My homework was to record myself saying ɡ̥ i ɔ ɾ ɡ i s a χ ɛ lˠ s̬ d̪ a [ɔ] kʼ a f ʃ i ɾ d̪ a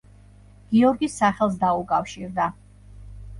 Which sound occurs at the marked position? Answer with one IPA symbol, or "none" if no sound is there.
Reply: u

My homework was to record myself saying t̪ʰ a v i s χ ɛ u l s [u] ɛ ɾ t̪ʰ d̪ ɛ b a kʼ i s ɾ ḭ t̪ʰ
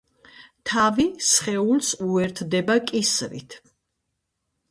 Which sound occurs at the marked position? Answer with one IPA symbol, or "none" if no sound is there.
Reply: u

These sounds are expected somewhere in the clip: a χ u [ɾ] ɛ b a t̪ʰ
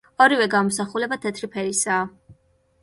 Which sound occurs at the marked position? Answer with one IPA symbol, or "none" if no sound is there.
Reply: l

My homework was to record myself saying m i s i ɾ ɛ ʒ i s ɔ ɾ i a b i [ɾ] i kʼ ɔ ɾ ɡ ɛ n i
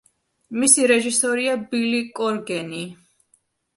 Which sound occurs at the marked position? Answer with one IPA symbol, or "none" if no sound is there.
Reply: l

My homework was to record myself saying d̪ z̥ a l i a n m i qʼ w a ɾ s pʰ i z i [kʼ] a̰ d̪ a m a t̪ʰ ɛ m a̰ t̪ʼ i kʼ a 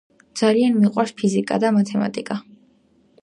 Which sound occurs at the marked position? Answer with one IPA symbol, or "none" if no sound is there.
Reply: kʼ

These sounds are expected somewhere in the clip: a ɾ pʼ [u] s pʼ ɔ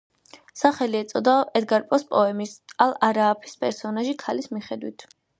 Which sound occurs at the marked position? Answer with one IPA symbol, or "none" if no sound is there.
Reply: ɔ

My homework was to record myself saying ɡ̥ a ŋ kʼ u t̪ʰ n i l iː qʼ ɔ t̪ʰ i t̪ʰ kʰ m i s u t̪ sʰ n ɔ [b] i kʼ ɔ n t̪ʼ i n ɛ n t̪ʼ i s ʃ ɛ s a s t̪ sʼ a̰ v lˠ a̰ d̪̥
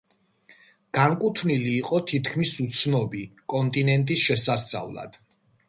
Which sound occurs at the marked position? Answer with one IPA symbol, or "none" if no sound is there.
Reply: b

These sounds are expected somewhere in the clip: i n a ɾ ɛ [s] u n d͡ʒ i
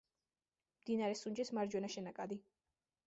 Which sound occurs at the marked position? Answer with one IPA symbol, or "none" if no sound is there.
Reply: s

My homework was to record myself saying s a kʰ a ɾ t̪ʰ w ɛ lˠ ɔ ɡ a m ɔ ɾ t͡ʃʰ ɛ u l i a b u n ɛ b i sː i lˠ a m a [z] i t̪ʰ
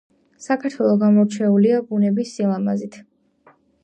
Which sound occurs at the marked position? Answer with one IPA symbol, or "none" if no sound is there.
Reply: z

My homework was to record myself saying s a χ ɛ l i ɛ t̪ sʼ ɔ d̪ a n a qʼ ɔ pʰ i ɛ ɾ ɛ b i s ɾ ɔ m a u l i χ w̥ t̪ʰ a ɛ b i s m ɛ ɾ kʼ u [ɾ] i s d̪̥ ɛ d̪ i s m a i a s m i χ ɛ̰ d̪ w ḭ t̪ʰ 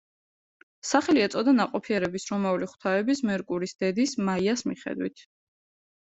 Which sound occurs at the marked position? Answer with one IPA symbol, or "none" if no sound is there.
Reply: ɾ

